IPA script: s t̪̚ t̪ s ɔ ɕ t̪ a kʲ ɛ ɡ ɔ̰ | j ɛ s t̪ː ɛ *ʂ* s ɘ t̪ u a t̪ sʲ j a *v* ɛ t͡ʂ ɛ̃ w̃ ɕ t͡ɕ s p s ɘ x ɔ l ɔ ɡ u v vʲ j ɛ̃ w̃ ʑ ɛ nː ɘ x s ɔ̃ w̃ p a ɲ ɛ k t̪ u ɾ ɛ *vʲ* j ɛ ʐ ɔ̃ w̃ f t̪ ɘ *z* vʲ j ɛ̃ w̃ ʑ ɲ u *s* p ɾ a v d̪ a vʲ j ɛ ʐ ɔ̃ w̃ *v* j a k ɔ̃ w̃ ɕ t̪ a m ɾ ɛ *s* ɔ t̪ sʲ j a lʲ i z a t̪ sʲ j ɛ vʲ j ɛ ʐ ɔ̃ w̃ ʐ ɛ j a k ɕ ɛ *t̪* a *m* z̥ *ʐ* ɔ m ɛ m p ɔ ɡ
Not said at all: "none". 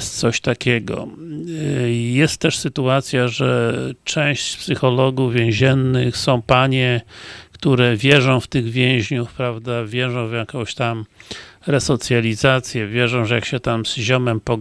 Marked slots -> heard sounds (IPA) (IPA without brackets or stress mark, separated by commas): ʂ, ʐ, vʲ, ɣ, f, v, s, t̪, m, ʑ